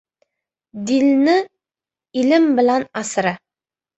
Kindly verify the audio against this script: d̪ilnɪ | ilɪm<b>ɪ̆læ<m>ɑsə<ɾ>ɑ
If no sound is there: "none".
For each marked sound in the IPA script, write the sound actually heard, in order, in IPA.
b, n, ɾ

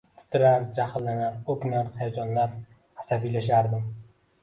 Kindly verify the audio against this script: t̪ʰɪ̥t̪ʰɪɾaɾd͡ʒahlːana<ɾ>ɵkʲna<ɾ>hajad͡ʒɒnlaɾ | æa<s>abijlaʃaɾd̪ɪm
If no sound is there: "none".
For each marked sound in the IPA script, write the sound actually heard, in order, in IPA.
ɾ, ɾ, s

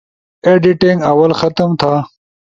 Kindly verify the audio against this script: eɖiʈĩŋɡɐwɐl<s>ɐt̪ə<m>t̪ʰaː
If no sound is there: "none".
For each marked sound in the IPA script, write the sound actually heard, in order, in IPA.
x, m

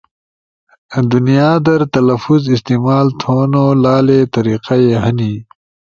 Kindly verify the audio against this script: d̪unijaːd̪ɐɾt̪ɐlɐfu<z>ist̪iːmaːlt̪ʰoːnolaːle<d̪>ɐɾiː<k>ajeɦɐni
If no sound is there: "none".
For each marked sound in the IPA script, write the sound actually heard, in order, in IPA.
z, t̪, q

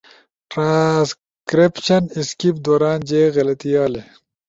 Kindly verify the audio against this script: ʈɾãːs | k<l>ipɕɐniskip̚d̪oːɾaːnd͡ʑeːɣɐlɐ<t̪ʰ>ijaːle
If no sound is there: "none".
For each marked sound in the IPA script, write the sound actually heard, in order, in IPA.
ɾ, t̪

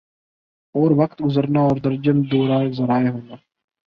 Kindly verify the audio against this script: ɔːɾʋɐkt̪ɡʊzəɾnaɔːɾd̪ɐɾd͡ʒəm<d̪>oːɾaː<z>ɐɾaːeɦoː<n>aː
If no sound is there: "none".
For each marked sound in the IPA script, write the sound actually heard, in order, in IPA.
d̪, z, n

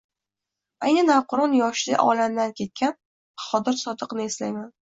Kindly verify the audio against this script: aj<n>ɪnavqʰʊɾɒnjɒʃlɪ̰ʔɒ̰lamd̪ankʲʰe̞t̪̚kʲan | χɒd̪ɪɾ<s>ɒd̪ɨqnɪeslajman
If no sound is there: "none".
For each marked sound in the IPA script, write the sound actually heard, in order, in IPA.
n, s

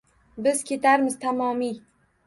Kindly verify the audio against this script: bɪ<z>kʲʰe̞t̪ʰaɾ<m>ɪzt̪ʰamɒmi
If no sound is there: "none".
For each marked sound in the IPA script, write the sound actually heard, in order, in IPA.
z, m

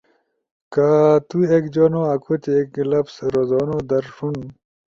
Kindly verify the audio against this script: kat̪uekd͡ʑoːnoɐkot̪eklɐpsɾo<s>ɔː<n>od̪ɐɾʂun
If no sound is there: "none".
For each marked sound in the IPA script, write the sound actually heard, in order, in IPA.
z, n

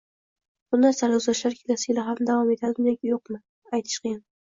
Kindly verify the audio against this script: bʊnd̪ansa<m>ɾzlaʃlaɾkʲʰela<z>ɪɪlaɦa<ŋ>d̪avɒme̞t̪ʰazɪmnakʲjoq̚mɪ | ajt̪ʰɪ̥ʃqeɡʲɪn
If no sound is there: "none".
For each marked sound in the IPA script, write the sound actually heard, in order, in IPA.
none, s, m

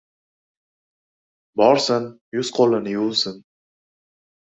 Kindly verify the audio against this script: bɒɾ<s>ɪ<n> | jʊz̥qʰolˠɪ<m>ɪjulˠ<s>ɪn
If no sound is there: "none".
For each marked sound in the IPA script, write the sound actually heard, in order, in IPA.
s, n, n, s

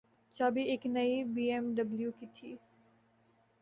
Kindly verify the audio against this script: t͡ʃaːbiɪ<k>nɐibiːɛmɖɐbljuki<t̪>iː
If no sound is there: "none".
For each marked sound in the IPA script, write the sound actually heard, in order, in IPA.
k, t̪ʰ

